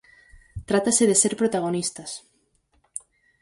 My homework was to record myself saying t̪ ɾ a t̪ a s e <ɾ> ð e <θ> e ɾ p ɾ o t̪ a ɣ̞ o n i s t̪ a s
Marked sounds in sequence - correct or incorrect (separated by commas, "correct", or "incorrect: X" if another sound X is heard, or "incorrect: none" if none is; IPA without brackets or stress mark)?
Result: incorrect: none, incorrect: s